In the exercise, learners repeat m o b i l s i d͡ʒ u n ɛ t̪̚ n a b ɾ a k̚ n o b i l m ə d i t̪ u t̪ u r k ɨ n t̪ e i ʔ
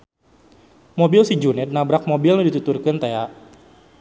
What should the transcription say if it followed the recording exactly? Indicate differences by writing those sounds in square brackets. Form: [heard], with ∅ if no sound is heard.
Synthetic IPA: m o b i l s i d͡ʒ u n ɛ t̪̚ n a b ɾ a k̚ [m] o b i l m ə d i t̪ u t̪ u r k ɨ n t̪ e [a] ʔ